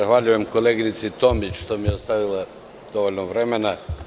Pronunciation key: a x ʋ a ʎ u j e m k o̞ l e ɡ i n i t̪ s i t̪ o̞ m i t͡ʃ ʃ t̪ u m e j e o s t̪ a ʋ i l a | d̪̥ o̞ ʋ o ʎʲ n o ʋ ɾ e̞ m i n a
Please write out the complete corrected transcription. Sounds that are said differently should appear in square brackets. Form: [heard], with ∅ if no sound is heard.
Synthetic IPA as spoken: a x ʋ a ʎ u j e m k o̞ l e ɡ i n i t̪ s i t̪ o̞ m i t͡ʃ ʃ t̪ [o] m [i] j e o s t̪ a ʋ i l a | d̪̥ o̞ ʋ o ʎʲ n o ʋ ɾ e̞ m [e] n a

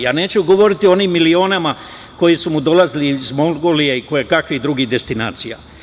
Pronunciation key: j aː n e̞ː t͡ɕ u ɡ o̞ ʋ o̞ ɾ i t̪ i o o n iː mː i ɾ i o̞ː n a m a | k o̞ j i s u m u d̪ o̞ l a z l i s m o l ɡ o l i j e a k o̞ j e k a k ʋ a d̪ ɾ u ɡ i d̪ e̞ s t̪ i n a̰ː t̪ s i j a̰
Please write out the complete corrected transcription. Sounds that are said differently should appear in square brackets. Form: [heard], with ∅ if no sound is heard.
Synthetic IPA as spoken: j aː n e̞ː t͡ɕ u ɡ o̞ ʋ o̞ ɾ i t̪ i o o n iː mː i [l] i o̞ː n a m a | k o̞ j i s u m u d̪ o̞ l a z l i [z] m o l ɡ o l i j e [i] k o̞ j e k a k ʋ [i] d̪ ɾ u ɡ i d̪ e̞ s t̪ i n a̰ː t̪ s i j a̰

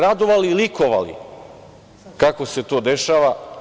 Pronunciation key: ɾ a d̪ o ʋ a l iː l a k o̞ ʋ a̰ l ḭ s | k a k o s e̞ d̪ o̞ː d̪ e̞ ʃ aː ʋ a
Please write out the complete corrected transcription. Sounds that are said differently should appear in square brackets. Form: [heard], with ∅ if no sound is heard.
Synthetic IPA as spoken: ɾ a d̪ o ʋ a l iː l [i] k o̞ ʋ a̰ l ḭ [∅] | k a k o s e̞ [t̪] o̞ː d̪ e̞ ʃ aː ʋ a

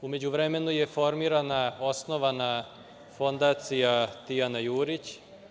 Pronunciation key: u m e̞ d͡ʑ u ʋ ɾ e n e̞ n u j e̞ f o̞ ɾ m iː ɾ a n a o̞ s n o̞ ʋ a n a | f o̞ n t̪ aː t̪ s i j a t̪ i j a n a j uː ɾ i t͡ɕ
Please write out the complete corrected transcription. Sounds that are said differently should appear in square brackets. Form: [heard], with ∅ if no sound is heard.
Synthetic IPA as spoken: u m e̞ d͡ʑ u ʋ ɾ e [m] e̞ n u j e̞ f o̞ ɾ m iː ɾ a n a o̞ s n o̞ ʋ a n a | f o̞ n [d̪] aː t̪ s i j a t̪ i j a n a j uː ɾ i t͡ɕ

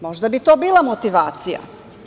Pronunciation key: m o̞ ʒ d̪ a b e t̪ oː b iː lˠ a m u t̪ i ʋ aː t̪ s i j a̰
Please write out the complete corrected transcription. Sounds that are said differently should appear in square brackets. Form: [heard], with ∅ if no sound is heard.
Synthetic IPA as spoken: m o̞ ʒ d̪ a b [i] t̪ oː b iː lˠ a m [o] t̪ i ʋ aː t̪ s i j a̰

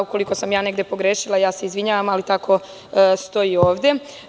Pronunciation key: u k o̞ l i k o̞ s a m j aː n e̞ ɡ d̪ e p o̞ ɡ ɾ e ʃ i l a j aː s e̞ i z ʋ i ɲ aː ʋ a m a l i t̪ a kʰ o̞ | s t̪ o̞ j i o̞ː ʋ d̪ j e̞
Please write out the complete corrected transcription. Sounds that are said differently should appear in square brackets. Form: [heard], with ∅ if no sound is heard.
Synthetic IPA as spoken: u k o̞ l i k o̞ s a m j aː n e̞ ɡ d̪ e p o̞ ɡ ɾ e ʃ i l a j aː s e̞ i z ʋ i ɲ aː ʋ a m a l i t̪ a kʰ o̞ | s t̪ o̞ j i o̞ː ʋ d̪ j e̞

